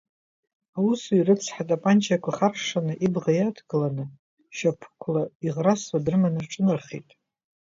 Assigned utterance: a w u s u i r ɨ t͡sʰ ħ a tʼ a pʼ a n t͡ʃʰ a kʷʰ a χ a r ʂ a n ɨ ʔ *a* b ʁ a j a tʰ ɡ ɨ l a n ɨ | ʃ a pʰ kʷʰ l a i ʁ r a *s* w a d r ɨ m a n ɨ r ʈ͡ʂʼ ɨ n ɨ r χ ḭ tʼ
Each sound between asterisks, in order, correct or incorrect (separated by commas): incorrect, correct